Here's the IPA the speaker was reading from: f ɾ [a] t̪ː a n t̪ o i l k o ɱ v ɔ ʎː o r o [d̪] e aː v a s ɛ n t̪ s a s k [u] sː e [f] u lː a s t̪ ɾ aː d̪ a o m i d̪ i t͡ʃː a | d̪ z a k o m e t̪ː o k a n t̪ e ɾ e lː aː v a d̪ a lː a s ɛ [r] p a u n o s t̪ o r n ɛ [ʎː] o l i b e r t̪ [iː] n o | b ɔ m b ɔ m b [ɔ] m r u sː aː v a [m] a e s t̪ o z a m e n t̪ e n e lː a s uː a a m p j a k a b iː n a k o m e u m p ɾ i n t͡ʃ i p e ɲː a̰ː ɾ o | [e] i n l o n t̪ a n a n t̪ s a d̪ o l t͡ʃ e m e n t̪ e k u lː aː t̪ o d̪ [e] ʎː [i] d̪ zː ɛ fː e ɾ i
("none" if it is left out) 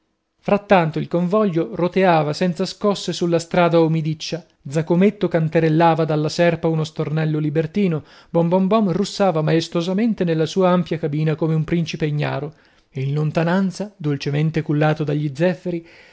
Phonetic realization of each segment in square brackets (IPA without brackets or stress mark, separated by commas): a, t̪, ɔ, s, r, lː, iː, ɔ, m, e, a, i